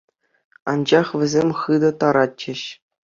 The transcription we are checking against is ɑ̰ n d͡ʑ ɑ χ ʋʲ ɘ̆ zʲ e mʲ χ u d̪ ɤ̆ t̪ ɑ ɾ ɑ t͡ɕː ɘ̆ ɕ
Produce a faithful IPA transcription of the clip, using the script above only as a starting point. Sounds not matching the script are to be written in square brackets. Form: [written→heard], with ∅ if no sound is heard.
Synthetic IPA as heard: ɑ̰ n d͡ʑ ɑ χ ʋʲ ɘ̆ zʲ e mʲ χ [u→ɯ] d̪ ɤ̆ t̪ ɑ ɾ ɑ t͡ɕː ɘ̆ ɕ